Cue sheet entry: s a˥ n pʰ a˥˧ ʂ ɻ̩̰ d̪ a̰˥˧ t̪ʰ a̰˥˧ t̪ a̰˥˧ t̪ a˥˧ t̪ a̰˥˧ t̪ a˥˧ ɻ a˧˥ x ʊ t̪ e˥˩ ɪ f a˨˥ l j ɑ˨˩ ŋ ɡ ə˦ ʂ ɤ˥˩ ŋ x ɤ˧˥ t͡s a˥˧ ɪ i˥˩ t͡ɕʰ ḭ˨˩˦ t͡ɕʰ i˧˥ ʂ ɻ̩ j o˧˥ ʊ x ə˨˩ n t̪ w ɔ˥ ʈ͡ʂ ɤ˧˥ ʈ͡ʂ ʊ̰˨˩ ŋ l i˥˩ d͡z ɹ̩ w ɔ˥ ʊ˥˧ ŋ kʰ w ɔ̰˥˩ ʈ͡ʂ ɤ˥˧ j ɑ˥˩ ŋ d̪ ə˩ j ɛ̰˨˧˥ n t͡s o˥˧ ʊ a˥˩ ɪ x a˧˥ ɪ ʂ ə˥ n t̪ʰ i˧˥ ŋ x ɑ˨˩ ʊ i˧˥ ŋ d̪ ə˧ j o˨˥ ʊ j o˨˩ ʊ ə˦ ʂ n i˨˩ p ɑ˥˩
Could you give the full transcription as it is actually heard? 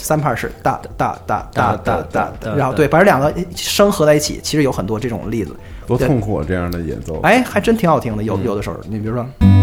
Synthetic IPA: s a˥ n pʰ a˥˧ ʂ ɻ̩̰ t̪ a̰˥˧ t̪ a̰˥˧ t̪ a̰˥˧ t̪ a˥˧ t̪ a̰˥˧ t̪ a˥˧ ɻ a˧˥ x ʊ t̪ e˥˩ ɪ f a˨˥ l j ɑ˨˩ ŋ ɡ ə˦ ʂ ɤ˥ ŋ x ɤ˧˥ t͡s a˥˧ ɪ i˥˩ t͡ɕʰ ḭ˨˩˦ t͡ɕʰ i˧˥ ʂ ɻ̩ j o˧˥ ʊ x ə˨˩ n t̪ w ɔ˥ ʈ͡ʂ ɤ˥˩ ʈ͡ʂ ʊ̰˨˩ ŋ l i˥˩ d͡z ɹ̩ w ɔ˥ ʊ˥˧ ŋ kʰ w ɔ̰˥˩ ʈ͡ʂ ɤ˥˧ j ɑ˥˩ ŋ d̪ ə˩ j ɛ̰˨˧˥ n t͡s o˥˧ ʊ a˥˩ ɪ x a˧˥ ɪ ʈ͡ʂ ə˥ n t̪ʰ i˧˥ ŋ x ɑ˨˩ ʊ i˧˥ ŋ d̪ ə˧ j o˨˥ ʊ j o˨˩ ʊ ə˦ ʂ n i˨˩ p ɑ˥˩